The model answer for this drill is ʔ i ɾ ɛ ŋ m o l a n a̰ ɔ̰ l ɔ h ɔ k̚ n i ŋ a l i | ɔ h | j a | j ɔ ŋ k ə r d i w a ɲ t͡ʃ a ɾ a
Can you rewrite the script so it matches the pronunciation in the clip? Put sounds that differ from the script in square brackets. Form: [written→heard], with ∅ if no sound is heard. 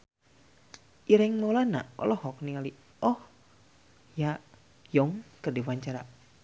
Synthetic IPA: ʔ i ɾ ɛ ŋ m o l a n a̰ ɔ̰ l ɔ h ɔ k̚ n i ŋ a l i | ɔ h | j a | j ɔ ŋ k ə r d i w a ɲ t͡ʃ a ɾ a